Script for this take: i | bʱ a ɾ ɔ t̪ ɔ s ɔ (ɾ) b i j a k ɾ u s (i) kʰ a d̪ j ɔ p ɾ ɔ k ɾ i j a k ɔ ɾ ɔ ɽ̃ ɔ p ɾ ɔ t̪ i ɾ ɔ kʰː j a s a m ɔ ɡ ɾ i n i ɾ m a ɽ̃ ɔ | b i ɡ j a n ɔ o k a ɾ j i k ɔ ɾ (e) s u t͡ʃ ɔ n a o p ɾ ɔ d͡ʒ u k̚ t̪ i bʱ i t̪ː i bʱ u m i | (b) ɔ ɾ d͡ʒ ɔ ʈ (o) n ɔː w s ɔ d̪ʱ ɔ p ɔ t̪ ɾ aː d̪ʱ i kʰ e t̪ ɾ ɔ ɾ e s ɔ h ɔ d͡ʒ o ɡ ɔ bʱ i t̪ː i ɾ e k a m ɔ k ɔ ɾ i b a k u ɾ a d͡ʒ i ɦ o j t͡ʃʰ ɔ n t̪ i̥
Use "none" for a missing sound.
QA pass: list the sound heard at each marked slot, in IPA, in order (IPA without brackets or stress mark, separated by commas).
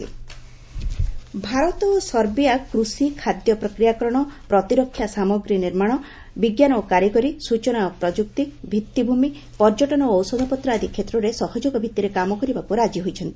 ɾ, i, i, p, ɔ